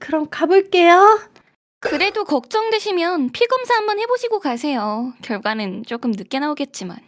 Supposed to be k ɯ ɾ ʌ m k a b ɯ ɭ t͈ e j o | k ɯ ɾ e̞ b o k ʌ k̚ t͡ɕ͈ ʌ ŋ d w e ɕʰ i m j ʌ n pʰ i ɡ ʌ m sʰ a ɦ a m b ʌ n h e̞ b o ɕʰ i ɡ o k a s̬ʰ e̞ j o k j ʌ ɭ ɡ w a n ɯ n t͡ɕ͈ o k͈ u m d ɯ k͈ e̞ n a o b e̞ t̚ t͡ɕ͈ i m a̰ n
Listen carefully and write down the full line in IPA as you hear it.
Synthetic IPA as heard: k ɯ ɾ ʌ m k a b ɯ ɭ k͈ e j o | k ɯ ɾ e̞ d o k ʌ k̚ t͡ɕ͈ ʌ ŋ d w e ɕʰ i m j ʌ n pʰ i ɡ ʌ m sʰ a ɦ a m b ʌ n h e̞ b o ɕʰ i ɡ o k a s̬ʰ e̞ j o k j ʌ ɭ ɡ w a n ɯ n t͡ɕ͈ o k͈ ɯ m n ɯ k͈ e̞ n a o ɡ e̞ t̚ t͡ɕ͈ i m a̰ n